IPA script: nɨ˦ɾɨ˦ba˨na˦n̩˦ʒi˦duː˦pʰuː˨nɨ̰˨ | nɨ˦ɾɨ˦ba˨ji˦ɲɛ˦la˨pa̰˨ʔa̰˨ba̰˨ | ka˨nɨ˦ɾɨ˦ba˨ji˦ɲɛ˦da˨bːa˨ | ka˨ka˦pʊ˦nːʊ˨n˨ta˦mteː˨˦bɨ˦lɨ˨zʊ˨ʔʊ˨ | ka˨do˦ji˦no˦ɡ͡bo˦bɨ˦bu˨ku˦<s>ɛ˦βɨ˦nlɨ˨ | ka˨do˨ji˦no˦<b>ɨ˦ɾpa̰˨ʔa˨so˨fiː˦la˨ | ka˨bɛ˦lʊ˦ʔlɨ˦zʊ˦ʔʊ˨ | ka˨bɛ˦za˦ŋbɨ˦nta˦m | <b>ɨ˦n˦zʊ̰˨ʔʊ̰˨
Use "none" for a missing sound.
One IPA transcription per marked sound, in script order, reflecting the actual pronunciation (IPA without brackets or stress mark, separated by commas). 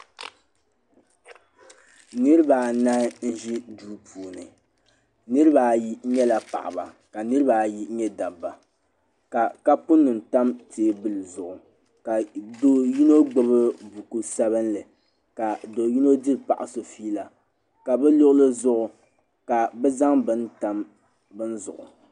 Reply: s, d, b